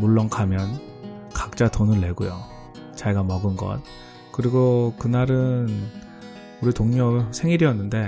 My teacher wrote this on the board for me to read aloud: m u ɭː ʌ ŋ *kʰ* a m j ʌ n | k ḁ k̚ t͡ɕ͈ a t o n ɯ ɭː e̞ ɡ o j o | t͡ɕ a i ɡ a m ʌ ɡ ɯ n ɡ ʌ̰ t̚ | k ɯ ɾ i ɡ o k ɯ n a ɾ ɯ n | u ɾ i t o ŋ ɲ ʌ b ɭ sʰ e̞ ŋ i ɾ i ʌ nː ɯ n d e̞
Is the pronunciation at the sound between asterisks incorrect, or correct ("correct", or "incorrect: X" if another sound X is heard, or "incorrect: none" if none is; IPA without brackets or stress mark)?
correct